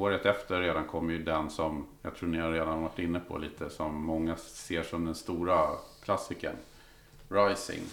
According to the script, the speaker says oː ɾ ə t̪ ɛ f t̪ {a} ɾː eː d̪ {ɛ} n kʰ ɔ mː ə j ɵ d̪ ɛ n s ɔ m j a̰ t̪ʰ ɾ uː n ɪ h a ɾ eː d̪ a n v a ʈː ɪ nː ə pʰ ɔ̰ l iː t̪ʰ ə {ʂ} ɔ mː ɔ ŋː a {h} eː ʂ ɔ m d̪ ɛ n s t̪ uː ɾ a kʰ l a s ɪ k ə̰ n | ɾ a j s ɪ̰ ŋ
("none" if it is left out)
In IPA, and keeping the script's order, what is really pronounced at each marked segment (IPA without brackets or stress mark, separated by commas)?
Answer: ə, a, s, s